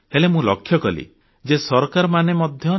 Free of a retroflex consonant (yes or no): yes